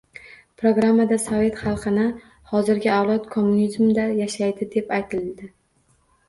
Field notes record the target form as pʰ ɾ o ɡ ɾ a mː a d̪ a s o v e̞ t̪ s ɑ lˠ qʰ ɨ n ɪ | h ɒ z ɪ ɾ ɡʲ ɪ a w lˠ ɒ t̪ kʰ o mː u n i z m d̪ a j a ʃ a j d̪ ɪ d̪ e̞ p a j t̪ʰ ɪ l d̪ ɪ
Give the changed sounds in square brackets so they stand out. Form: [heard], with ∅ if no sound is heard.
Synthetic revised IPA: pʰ ɾ o ɡ ɾ a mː a d̪ a s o v e̞ t̪ [χ] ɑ lˠ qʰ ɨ n ɪ | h ɒ z ɪ ɾ ɡʲ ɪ a w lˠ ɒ t̪ kʰ o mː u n i z m d̪ a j a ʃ a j d̪ ɪ d̪ e̞ p a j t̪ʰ ɪ l d̪ ɪ